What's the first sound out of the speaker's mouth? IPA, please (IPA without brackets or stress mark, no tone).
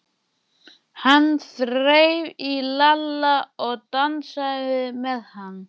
h